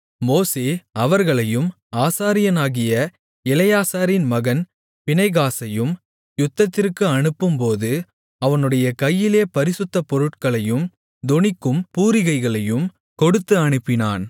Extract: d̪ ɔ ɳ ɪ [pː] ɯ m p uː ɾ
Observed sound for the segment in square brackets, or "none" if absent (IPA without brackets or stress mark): kː